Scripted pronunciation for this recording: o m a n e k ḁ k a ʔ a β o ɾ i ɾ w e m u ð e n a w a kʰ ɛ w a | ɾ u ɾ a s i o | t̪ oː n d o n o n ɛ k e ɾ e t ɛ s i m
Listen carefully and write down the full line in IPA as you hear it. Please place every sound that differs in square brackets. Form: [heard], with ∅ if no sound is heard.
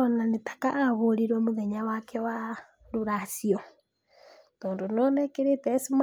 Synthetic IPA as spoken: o [n] a n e [t] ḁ k a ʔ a β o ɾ i ɾ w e m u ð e [ɲ] a w a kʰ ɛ w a | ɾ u ɾ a s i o | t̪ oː n d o n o n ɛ k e ɾ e t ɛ s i m